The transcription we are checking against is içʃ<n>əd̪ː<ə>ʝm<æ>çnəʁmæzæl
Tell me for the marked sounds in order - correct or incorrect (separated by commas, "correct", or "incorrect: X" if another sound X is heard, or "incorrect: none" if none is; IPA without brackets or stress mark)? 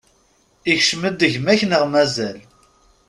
incorrect: m, correct, correct